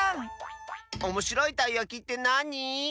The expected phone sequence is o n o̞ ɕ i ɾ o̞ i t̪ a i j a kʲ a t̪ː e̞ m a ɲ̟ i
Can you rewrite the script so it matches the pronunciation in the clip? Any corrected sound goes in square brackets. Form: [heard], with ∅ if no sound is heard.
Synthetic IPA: o [m] o̞ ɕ i ɾ o̞ i t̪ a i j a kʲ [i] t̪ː e̞ [n] a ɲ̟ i